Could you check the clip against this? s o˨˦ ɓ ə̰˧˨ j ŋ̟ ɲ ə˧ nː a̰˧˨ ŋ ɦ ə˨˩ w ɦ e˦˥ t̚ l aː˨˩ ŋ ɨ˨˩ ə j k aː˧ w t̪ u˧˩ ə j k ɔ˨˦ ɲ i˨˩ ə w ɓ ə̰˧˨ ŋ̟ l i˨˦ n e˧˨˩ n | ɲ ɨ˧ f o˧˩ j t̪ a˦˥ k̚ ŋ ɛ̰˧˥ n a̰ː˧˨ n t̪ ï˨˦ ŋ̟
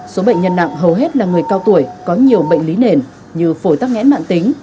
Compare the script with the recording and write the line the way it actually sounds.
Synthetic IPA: s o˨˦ ɓ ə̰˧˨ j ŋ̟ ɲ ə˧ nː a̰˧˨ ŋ ɦ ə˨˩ w ɦ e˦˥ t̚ l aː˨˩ ŋ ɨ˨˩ ə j k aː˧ w t̪ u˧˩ ə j k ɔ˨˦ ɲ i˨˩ ə w ɓ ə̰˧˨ ŋ̟ l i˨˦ n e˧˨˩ n | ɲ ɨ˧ f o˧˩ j t̪ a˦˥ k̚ ŋ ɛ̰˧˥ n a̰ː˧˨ n t̪ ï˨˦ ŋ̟